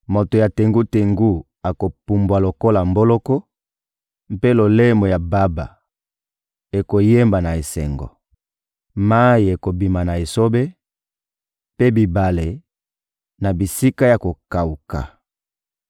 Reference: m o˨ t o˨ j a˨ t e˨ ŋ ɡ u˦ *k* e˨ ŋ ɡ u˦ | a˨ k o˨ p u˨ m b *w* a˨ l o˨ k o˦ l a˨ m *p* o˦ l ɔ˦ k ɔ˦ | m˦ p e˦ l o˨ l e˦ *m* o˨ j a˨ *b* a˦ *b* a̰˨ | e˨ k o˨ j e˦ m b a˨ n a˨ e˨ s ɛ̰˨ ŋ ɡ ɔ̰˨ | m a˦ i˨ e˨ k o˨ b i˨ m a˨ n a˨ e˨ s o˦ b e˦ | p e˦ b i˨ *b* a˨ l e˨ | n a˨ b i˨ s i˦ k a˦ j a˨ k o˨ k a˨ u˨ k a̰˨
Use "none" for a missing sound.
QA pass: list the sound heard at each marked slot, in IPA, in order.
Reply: t, w, b, m, b, b, b

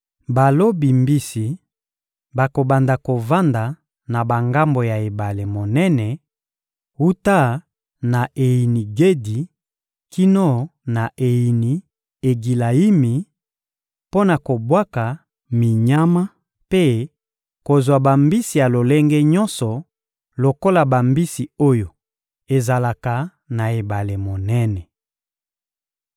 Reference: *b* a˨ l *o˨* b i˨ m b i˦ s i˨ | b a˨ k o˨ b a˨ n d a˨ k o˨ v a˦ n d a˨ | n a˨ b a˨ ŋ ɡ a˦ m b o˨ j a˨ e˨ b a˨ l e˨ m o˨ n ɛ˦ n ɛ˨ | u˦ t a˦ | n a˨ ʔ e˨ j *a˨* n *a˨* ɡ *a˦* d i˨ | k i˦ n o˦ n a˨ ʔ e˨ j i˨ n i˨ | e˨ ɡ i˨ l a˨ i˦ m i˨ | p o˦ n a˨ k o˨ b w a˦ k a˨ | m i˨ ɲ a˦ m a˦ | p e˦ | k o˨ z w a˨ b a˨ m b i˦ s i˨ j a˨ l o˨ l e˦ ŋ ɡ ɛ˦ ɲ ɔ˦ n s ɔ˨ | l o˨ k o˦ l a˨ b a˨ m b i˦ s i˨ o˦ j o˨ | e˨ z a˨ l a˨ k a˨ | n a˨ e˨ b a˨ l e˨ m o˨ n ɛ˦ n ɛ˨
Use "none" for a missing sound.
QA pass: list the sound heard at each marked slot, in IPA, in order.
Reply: b, o˦, i˨, i˨, e˦

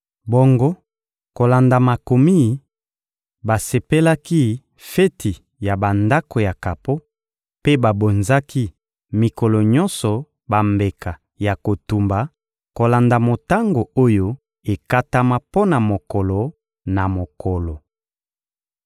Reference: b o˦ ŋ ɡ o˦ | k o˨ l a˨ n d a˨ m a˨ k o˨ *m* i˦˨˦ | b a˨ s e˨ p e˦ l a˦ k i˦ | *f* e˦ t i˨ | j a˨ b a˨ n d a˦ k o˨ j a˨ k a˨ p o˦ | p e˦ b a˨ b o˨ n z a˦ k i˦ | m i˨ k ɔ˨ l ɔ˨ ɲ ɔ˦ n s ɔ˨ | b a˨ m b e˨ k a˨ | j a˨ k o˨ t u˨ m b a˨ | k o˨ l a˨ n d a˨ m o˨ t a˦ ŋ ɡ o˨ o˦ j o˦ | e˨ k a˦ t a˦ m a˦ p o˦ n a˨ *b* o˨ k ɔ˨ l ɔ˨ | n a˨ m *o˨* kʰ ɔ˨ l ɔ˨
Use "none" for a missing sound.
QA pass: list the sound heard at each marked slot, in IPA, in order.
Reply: m, f, m, o˨

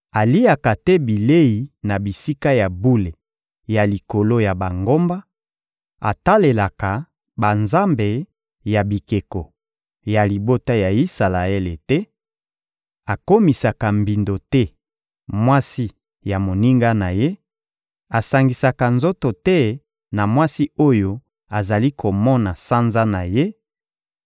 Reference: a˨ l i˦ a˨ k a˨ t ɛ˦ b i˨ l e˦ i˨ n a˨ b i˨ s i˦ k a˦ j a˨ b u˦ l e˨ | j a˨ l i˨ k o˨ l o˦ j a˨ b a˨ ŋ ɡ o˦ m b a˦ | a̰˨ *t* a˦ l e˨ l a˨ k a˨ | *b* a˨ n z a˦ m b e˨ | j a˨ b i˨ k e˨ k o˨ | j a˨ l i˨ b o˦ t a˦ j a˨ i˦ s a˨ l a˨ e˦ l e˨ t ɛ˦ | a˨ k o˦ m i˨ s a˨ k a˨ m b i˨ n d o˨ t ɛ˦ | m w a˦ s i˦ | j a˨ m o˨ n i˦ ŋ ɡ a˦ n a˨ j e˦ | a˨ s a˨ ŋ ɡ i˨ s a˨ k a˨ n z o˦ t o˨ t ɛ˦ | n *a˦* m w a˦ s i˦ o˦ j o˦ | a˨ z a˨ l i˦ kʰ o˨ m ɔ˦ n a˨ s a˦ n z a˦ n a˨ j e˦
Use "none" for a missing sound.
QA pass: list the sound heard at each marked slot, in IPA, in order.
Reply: t, b, a˨

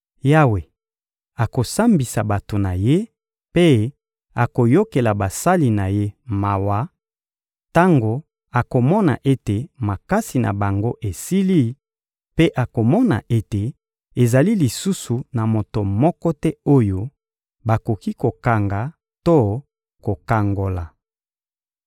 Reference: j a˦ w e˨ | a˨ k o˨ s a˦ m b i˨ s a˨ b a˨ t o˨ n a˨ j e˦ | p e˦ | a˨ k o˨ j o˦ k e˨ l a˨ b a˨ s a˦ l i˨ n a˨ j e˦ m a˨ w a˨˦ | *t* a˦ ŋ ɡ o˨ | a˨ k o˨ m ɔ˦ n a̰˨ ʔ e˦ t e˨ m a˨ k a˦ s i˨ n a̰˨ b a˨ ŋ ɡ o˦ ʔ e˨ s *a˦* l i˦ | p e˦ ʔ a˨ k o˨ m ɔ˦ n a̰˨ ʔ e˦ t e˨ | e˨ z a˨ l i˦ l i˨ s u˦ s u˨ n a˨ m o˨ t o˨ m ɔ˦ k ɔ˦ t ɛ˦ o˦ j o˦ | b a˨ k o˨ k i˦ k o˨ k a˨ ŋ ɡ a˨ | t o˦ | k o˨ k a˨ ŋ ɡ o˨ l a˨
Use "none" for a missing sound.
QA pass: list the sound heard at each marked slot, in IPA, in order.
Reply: t, i˦

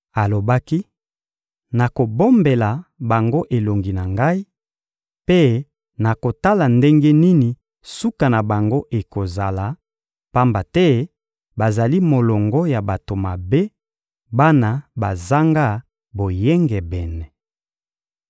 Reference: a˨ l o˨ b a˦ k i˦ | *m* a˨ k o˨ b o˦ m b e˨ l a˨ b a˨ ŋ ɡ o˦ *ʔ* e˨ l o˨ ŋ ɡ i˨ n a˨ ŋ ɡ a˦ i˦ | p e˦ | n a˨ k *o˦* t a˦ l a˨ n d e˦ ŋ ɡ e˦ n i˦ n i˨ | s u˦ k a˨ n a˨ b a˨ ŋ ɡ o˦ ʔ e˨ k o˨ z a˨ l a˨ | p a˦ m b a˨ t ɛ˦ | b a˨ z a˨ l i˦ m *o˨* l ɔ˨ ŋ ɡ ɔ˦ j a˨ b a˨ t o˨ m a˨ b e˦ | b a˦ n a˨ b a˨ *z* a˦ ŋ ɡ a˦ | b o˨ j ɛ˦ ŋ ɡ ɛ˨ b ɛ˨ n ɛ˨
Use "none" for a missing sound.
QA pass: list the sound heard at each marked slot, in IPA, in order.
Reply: n, ʔ, o˨, o˨, z

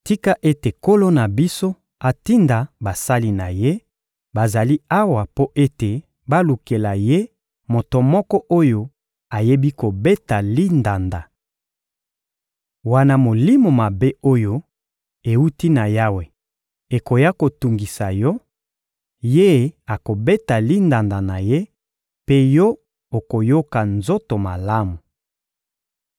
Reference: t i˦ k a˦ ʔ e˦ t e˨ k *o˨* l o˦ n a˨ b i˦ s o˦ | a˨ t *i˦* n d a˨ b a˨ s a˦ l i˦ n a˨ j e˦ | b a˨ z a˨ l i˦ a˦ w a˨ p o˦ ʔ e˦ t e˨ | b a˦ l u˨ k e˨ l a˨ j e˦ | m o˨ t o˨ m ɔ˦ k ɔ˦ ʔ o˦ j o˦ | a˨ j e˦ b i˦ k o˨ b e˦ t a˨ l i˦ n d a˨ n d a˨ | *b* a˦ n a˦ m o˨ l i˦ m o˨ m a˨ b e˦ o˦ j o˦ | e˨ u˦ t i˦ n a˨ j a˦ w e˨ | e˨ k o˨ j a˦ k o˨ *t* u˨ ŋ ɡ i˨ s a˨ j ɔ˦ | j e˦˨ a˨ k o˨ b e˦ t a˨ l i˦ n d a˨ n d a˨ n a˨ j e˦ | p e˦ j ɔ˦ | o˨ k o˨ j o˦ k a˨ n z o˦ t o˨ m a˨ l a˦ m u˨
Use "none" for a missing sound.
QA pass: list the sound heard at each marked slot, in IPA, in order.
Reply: o˦, i˦, w, t

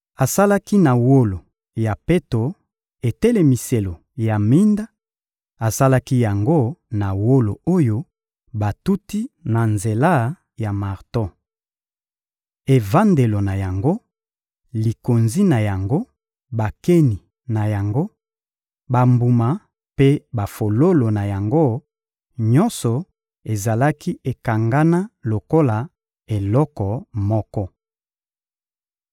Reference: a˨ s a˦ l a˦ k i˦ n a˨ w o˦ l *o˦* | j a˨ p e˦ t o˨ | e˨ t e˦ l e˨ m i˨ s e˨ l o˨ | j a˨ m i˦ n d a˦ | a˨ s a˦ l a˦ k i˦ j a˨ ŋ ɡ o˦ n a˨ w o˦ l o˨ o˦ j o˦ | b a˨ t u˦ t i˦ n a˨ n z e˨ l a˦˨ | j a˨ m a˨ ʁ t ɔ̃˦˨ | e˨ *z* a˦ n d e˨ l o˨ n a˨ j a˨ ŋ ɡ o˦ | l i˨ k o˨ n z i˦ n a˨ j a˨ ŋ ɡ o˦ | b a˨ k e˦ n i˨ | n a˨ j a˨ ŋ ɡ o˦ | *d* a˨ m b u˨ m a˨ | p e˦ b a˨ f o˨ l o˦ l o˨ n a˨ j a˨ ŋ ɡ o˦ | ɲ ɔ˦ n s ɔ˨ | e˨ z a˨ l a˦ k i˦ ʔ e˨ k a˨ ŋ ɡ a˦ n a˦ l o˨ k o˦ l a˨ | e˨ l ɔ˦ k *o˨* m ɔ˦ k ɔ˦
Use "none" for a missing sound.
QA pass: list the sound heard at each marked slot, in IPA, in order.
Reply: o˨, v, b, ɔ˨

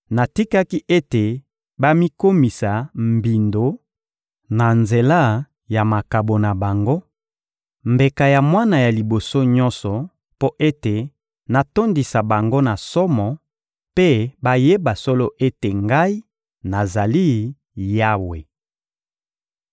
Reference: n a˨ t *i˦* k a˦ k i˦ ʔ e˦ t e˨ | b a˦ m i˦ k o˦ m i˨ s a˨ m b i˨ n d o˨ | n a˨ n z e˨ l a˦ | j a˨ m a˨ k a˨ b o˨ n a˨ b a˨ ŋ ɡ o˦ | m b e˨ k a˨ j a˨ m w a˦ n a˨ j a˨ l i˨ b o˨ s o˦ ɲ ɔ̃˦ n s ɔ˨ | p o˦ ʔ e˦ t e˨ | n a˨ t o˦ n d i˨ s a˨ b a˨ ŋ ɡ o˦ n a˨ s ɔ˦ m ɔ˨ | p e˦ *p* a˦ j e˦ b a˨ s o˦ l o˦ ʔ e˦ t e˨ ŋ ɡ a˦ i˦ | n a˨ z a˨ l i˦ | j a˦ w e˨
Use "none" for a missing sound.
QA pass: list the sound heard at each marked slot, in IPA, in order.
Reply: i˦, b

